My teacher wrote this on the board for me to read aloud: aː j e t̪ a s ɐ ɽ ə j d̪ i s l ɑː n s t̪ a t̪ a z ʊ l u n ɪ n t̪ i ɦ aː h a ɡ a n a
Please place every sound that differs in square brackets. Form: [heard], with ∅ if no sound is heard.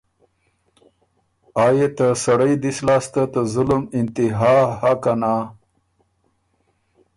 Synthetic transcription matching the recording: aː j e t̪ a s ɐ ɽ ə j d̪ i s l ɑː [∅] s t̪ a t̪ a z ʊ l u [m] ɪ n t̪ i ɦ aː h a [k] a n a